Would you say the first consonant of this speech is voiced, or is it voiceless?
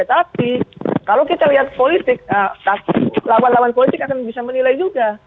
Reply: voiceless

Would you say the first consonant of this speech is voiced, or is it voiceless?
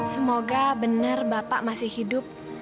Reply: voiceless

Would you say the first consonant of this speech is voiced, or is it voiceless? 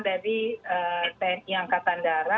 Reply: voiced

